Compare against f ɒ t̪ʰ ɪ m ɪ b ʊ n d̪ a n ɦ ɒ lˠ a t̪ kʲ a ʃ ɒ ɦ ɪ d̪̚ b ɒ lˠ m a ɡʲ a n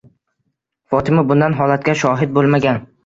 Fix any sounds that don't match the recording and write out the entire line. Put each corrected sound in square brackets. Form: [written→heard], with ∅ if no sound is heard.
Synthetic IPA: f ɒ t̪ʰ ɪ m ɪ b ʊ n d̪ a n ɦ ɒ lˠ a t̪ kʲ a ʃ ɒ ɦ ɪ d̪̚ b [ɒ→o] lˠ m a ɡʲ a n